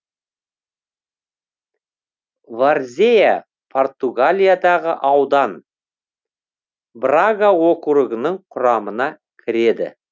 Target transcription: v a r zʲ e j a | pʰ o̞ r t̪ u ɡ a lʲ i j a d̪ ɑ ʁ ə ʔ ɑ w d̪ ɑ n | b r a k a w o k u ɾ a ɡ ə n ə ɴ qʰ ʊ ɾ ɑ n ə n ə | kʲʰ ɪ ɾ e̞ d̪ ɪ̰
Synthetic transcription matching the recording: v a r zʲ e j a | pʰ o̞ r t̪ u ɡ a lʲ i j a d̪ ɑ ʁ ə ʔ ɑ w d̪ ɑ n | b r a ɡ a w o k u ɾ ə ɡ ə n ə ɴ qʰ ʊ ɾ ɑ m ə n ɑ | kʲʰ ɪ ɾ e̞ d̪ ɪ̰